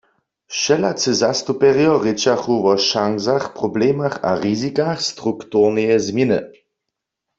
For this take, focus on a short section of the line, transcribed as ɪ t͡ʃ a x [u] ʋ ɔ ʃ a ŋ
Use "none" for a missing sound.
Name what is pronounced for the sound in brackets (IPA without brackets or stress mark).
u